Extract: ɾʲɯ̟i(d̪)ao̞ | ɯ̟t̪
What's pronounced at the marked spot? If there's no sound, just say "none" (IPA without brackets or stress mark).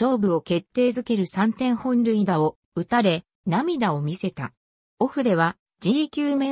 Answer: d̪